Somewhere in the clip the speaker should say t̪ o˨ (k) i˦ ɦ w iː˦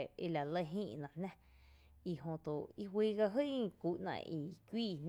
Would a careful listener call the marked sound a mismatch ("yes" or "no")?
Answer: yes